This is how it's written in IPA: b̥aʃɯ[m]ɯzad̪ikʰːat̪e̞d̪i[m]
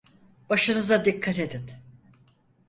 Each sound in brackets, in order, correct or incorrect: incorrect: n, incorrect: n

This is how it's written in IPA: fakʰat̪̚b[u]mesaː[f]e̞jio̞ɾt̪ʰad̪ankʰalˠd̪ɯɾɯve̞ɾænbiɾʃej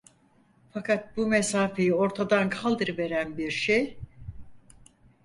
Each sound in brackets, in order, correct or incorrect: correct, correct

